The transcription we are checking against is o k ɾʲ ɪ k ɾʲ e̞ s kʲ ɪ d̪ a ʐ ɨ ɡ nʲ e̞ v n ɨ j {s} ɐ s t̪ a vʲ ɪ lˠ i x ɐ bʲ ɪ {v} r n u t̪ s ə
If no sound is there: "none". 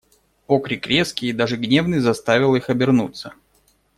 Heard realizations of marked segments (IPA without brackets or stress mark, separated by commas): z, none